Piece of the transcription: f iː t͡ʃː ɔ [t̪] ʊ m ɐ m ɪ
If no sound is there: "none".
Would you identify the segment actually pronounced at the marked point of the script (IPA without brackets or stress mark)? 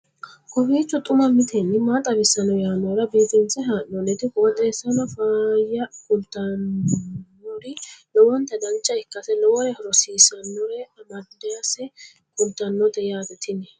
t̪ʼ